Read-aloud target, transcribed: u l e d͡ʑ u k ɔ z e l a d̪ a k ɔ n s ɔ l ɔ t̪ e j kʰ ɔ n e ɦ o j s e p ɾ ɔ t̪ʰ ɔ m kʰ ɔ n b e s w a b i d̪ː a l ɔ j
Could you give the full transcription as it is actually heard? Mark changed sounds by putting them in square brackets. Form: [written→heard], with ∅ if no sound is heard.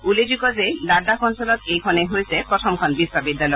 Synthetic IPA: u l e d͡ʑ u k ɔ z e l a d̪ a k ɔ n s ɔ l ɔ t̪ e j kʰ ɔ n e ɦ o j s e p ɾ ɔ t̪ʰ ɔ m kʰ ɔ n b [e→i] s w a b i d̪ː a l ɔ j